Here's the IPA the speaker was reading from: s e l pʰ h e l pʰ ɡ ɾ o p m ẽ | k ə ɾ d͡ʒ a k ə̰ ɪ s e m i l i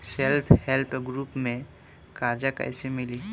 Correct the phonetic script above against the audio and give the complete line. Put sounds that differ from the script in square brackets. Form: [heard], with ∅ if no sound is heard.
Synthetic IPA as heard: s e l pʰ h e l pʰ ɡ ɾ [u] p m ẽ | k [a] ɾ d͡ʒ a k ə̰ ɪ s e m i l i

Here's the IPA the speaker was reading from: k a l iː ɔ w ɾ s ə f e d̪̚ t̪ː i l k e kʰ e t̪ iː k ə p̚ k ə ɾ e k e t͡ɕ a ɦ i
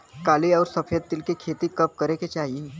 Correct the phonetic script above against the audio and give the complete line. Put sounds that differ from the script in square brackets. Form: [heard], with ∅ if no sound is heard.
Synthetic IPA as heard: k a l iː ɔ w ɾ s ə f e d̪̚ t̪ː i l k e kʰ e t̪ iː k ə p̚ k ə ɾ e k e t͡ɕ a ɦ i

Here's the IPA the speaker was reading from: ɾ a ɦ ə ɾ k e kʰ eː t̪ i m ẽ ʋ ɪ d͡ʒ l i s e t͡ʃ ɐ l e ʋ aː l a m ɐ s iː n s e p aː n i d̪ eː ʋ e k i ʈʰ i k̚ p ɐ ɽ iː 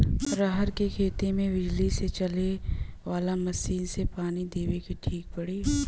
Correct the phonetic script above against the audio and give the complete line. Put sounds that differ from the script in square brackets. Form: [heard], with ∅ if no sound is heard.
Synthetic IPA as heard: ɾ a ɦ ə ɾ k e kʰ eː t̪ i m ẽ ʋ ɪ d͡ʒ l i s e t͡ʃ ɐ l e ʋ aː l a m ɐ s iː n s e p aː n i d̪ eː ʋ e k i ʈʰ [iː] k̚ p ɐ ɽ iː

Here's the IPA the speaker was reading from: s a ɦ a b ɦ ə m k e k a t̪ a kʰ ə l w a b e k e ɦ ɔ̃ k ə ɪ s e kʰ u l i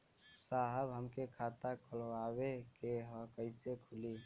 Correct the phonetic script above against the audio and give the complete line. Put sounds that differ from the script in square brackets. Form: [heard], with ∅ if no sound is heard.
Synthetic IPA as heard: s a ɦ [ə] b ɦ ə m k e [kʰ] a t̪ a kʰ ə l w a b e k e ɦ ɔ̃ k ə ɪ s e kʰ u l i

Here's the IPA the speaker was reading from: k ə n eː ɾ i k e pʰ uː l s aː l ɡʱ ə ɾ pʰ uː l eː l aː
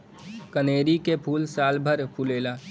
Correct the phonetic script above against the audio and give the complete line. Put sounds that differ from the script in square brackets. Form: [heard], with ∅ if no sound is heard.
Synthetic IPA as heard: k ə n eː ɾ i k e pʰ uː l s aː l [bʱ] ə ɾ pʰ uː l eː l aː

